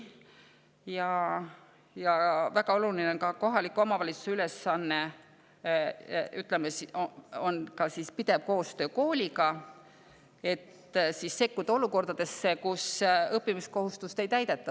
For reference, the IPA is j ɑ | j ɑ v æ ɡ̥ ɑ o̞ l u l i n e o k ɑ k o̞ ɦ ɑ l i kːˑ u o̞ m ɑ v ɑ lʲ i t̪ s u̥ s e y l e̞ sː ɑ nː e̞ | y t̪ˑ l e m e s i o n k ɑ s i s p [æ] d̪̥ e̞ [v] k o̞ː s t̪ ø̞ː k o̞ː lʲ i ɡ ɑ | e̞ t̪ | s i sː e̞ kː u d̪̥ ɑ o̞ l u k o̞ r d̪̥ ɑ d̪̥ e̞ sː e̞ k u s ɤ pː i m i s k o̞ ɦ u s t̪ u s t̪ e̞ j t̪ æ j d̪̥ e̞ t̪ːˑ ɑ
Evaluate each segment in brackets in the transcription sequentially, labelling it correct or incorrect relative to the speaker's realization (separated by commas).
incorrect, correct